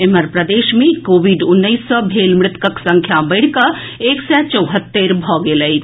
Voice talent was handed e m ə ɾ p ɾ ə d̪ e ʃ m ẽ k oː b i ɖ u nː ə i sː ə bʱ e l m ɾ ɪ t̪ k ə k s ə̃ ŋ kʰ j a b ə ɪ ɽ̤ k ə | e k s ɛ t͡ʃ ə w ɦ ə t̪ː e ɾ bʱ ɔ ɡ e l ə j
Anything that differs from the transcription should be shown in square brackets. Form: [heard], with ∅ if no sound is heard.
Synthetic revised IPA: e m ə ɾ p ɾ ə d̪ e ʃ m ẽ k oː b i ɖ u nː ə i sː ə bʱ e l m ɾ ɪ t̪ k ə k s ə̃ ŋ kʰ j a b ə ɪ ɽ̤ k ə | e k s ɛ t͡ʃ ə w ɦ ə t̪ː e ɾ bʱ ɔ ɡ e l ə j